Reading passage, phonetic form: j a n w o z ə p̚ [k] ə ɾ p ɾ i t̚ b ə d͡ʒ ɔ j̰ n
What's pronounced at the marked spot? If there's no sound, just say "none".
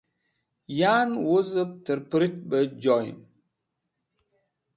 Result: t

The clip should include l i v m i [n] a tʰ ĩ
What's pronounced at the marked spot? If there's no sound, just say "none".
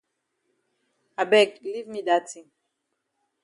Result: d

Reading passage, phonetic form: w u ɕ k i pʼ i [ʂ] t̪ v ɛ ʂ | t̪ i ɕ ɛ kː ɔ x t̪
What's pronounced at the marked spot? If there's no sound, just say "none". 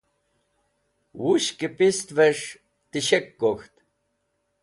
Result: s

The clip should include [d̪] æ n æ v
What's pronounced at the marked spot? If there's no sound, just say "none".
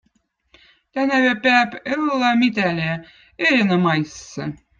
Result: t̪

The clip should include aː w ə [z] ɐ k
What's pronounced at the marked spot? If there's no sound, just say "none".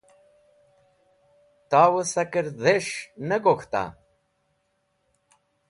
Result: s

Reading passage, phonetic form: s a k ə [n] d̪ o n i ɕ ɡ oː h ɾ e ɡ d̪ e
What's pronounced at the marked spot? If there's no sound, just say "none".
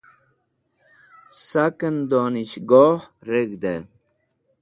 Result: n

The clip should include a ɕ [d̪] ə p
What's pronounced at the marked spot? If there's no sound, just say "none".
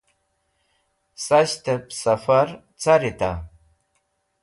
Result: t̪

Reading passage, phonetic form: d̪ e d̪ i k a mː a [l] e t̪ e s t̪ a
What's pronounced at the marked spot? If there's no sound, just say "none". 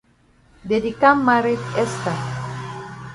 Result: ɾ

